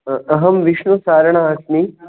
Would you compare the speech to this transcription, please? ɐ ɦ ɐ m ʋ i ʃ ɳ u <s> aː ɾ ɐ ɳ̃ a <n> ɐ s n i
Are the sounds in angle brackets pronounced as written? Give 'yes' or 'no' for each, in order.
yes, no

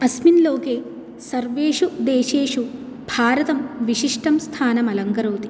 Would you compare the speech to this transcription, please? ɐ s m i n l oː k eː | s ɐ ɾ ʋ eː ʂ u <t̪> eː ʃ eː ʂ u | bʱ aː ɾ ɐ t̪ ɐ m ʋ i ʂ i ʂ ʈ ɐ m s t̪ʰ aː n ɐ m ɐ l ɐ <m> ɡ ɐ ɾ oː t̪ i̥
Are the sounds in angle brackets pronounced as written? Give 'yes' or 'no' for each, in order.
no, no

